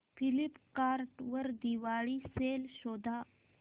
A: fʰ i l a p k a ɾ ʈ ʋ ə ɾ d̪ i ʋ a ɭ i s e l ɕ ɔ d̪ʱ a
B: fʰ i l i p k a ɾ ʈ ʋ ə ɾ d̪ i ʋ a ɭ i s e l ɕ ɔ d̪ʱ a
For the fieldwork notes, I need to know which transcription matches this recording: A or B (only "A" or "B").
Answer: B